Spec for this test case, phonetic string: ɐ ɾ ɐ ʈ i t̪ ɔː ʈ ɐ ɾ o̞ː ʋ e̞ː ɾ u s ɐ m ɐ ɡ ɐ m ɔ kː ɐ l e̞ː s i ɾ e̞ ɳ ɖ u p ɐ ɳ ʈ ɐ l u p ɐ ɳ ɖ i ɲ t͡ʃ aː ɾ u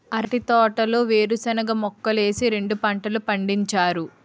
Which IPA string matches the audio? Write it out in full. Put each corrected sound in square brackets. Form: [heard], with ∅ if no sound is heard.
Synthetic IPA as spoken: ɐ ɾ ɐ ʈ i t̪ ɔː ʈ ɐ [l] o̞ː ʋ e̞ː ɾ u s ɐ [n] ɐ ɡ ɐ m ɔ kː ɐ l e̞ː s i ɾ e̞ ɳ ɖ u p ɐ ɳ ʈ ɐ l u p ɐ ɳ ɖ i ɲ t͡ʃ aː ɾ u